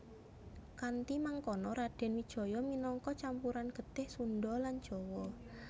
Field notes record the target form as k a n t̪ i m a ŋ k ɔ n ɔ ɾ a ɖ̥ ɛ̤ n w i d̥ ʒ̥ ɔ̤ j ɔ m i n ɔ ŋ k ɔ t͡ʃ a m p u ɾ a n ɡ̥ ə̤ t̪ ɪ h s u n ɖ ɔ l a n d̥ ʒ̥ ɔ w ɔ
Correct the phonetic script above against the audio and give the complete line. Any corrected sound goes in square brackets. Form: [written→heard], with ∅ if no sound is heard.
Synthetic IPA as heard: k a n t̪ i m a ŋ k ɔ n ɔ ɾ a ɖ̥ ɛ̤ n w i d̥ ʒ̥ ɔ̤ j ɔ m i n ɔ ŋ k ɔ t͡ʃ a m p u ɾ a n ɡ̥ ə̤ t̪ ɪ h s u n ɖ ɔ l a n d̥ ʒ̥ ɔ w ɔ